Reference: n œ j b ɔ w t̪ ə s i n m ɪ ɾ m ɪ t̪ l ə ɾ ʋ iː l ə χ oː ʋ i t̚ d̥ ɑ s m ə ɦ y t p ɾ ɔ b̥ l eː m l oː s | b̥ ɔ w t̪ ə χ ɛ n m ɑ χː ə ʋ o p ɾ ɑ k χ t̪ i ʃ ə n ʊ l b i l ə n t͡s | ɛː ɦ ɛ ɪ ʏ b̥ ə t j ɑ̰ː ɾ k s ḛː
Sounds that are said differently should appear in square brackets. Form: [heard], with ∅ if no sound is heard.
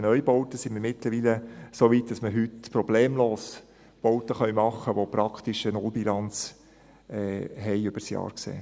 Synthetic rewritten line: n œ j b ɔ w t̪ ə s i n m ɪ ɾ m ɪ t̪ l ə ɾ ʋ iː l ə [s] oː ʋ i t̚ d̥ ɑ s m ə ɦ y t p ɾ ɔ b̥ l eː m l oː s | b̥ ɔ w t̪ ə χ [œ] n m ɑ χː ə ʋ o p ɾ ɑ k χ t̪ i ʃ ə n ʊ l b i l [ɑ] n t͡s | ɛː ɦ ɛ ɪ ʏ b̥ ə [s] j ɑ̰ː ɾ k s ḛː